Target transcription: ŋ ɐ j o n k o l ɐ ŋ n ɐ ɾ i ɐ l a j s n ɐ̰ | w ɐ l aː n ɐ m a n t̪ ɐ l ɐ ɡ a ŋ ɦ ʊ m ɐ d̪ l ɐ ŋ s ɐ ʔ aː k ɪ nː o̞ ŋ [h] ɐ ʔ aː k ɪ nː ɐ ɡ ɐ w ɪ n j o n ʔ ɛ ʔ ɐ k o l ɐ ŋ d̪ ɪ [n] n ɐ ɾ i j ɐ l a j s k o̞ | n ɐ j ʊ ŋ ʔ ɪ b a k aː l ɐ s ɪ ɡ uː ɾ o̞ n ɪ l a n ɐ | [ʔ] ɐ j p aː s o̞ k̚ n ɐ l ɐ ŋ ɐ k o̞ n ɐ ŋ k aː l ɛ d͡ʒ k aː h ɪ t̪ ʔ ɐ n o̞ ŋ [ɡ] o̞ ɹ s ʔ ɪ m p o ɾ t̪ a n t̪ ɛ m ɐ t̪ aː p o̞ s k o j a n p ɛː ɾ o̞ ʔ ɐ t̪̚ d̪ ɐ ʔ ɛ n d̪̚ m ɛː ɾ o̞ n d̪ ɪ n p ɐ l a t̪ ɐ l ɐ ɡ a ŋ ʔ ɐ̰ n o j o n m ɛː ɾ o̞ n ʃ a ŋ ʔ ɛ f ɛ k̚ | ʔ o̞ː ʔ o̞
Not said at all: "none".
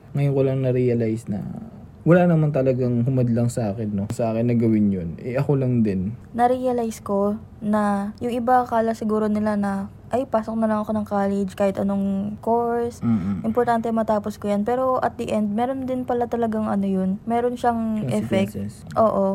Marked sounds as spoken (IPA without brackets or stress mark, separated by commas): s, n, ʔ, k